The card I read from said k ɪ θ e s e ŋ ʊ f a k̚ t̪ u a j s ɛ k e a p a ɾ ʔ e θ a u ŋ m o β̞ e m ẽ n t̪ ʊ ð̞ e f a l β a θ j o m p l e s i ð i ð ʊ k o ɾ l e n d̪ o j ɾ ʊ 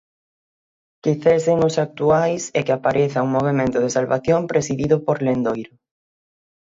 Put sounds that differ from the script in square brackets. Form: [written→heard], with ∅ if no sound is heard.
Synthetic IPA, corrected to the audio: k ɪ θ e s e ŋ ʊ [f→s] a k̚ t̪ u a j s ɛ k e a p a ɾ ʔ e θ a u ŋ m o β̞ e m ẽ n t̪ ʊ ð̞ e [f→s] a l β a θ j o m p [l→ɾ] e s i ð i ð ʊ [k→p] o ɾ l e n d̪ o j ɾ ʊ

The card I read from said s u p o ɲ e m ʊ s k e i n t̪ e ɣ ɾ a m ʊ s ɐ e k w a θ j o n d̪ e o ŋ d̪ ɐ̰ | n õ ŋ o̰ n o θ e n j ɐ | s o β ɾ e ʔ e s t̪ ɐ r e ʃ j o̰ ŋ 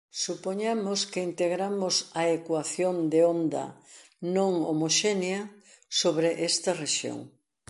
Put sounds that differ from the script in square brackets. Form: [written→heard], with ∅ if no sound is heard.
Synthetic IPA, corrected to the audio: s u p o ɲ [e→a] m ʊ s k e i n t̪ e ɣ ɾ a m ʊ s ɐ e k w a θ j o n d̪ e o [ŋ→n] d̪ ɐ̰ | n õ ŋ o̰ [n→m] o [θ→ʃ] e n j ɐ | s o β ɾ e ʔ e s t̪ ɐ r e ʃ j o̰ ŋ

